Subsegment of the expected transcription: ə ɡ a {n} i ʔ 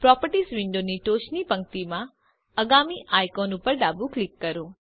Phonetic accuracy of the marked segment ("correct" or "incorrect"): incorrect